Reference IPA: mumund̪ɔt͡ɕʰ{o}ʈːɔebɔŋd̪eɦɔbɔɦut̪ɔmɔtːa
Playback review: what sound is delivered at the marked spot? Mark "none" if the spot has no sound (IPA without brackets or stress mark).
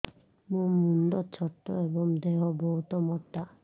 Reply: ɔ